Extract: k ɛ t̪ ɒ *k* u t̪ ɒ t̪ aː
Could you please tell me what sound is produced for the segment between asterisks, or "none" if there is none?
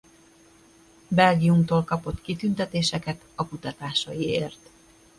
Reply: k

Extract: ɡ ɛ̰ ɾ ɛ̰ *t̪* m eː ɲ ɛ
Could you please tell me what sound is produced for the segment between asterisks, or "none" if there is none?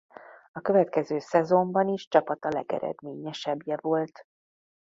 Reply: d̪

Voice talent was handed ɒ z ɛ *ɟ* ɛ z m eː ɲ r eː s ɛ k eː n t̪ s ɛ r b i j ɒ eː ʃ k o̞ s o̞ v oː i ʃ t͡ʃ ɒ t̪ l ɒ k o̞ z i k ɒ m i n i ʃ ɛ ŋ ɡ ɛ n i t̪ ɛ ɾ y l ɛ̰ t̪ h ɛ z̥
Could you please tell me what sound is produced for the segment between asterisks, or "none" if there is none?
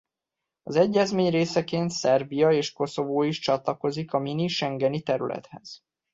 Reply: ɟː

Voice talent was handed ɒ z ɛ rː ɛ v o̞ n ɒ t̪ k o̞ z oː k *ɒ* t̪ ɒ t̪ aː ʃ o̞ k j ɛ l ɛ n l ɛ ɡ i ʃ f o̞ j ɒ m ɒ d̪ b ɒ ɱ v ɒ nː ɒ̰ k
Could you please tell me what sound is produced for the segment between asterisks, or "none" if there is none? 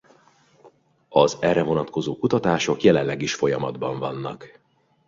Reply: u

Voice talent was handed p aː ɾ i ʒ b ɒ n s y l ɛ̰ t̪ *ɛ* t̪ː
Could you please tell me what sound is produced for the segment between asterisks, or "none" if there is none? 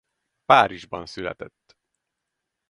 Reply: ɛ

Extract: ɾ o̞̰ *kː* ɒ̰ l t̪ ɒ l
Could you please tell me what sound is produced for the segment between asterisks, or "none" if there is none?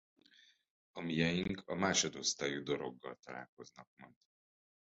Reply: ɡː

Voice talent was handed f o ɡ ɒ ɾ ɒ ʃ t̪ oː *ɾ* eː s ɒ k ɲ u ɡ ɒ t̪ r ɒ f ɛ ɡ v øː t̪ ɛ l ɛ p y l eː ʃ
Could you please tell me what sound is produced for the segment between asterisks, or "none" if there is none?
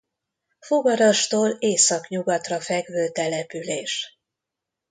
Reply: l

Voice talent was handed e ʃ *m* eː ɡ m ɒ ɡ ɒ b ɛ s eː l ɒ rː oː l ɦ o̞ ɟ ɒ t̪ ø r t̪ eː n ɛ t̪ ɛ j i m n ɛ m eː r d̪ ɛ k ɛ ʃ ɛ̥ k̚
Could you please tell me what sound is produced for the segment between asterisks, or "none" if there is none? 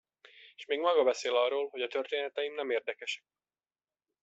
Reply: m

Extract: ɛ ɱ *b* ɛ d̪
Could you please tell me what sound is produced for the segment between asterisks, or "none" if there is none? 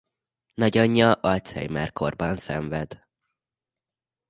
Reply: v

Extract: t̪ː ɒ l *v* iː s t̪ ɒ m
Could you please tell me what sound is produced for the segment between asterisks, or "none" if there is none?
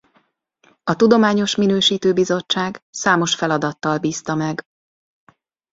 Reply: b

